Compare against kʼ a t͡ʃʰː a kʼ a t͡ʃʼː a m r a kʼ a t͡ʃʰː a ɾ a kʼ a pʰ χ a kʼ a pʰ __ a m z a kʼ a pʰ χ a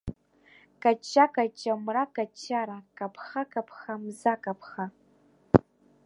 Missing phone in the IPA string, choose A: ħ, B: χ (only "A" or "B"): B